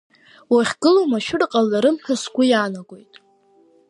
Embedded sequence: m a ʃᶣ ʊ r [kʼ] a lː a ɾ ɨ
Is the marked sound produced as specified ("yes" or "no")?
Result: no